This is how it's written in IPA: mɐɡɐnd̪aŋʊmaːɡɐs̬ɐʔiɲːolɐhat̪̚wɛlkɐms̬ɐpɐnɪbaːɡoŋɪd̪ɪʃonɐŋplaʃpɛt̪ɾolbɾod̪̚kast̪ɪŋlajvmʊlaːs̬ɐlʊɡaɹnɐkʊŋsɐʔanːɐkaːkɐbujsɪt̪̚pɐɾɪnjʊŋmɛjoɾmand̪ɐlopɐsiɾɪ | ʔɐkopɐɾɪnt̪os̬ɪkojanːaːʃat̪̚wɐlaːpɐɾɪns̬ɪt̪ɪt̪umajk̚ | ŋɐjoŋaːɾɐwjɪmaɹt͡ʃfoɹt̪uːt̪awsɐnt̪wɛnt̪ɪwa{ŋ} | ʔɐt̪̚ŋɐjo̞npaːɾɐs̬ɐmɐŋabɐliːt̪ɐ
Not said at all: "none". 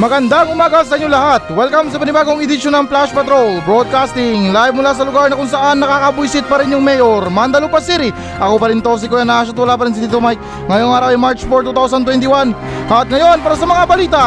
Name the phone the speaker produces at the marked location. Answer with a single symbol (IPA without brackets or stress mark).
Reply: n